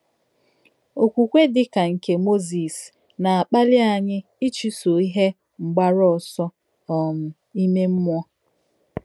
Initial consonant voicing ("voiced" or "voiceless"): voiceless